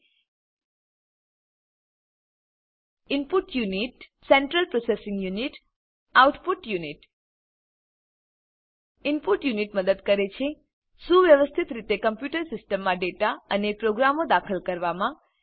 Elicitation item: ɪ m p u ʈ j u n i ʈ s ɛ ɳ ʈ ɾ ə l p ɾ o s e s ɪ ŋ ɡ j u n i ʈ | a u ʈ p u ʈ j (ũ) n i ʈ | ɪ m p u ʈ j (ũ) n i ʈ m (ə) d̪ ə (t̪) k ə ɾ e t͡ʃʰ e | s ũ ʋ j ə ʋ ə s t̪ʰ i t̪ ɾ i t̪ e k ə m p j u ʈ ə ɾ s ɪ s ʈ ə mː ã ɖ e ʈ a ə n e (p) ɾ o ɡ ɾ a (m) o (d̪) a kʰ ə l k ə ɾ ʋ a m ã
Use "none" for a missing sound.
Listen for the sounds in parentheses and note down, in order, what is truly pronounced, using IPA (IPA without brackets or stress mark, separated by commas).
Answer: u, u, ə, d̪, p, m, d̪